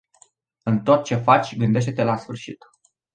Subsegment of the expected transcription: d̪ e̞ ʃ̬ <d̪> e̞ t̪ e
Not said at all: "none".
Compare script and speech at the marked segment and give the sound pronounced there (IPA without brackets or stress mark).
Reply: t̪